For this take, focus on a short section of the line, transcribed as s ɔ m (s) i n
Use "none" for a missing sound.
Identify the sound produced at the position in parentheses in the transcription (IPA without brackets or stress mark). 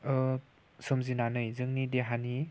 z